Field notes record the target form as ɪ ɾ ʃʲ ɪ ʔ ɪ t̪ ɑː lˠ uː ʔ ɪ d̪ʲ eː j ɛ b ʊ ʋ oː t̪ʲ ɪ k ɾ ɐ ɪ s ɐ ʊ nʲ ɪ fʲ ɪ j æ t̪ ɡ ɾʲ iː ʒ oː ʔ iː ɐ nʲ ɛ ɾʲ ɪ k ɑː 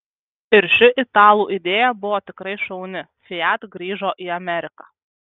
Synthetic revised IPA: ɪ ɾ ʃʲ ɪ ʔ ɪ t̪ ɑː lˠ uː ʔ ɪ d̪ʲ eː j ɛ b ʊ ʋ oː t̪ʲ ɪ k ɾ ɐ ɪ ʃ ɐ ʊ nʲ ɪ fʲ ɪ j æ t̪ ɡ ɾʲ iː ʒ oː ʔ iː ɐ mʲ ɛ ɾʲ ɪ k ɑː